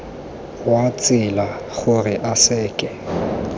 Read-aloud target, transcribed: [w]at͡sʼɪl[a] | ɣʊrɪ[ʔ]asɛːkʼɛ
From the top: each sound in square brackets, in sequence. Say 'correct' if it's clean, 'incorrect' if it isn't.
correct, correct, correct

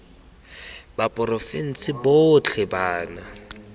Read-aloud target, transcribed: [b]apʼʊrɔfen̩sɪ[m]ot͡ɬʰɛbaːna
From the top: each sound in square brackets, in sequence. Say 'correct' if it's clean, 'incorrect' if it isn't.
correct, incorrect: b

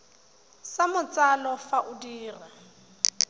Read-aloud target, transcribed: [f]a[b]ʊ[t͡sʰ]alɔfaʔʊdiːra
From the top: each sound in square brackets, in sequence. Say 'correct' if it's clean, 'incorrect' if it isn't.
incorrect: s, incorrect: m, incorrect: t͡s

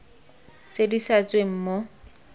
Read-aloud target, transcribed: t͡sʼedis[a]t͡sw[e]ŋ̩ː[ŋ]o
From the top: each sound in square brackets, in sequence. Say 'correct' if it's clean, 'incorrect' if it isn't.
correct, correct, incorrect: m

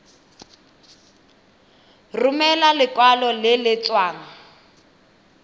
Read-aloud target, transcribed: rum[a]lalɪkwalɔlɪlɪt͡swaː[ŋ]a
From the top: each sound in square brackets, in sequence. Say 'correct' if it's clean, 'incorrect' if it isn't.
incorrect: ɛ, correct

